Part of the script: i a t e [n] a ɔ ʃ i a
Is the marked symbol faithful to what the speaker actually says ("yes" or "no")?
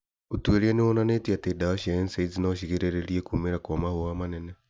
no